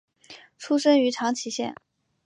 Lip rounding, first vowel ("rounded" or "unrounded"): rounded